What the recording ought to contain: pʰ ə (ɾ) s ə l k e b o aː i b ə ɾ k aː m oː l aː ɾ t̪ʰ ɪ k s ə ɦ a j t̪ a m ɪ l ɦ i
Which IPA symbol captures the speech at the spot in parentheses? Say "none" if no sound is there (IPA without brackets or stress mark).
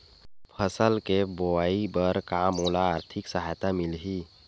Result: none